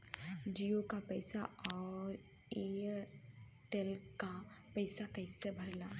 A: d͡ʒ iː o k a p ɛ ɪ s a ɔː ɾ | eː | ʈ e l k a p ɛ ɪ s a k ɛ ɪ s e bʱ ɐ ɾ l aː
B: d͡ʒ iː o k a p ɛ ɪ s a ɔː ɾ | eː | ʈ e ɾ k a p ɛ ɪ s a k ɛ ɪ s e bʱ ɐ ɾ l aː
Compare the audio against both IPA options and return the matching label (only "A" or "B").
A